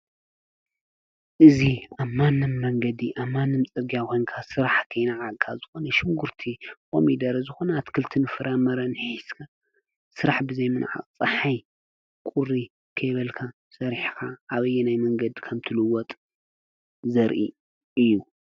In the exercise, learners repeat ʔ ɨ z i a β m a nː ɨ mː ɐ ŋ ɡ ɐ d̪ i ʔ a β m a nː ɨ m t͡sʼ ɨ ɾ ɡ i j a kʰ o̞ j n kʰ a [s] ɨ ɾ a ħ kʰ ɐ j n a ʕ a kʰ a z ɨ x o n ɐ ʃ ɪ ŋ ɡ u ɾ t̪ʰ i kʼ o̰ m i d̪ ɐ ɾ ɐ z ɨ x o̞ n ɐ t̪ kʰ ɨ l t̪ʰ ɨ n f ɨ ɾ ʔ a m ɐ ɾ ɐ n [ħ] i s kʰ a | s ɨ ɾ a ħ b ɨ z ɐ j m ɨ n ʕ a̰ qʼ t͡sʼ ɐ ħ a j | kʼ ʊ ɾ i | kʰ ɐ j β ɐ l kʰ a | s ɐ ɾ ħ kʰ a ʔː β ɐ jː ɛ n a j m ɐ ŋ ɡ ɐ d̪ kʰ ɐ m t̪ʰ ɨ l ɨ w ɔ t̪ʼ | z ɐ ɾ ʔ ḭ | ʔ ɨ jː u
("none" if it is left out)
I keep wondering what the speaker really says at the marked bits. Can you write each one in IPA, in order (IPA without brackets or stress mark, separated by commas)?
s, ħ